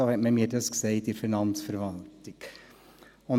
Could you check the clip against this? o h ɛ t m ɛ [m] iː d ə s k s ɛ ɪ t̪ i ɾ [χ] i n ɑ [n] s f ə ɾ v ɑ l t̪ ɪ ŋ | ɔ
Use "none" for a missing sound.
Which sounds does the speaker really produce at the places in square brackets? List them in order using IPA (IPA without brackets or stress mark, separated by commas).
m, f, n